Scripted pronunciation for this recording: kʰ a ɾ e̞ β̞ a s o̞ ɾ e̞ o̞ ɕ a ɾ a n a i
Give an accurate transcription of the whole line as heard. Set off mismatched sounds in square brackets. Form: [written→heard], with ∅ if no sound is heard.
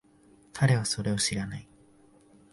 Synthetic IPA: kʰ a ɾ e̞ β̞ a s o̞ ɾ e̞ o̞ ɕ [a→i] ɾ a n a i